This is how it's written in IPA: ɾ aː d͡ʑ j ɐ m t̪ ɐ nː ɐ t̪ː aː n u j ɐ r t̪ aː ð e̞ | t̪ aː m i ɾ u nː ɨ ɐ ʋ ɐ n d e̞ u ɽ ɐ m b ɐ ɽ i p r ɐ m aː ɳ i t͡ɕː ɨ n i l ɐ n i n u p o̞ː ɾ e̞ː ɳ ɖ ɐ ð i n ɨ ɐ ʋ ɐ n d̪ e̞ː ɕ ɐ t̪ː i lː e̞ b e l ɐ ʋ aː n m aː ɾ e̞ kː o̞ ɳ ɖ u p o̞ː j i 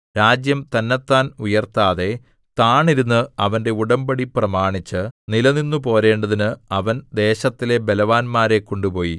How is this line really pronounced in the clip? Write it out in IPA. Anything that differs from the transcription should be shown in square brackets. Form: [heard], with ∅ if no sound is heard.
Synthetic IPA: ɾ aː d͡ʑ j ɐ m t̪ ɐ nː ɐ t̪ː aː n u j ɐ r t̪ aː ð e̞ | t̪ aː [ɳ] i ɾ u nː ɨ ɐ ʋ ɐ n d e̞ u ɽ ɐ m b ɐ ɽ i p r ɐ m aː ɳ i t͡ɕː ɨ n i l ɐ n i [nː] u p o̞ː ɾ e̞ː ɳ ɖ ɐ ð i n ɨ ɐ ʋ ɐ n d̪ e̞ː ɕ ɐ t̪ː i [l] e̞ b e l ɐ ʋ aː n m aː ɾ e̞ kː o̞ ɳ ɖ u p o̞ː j i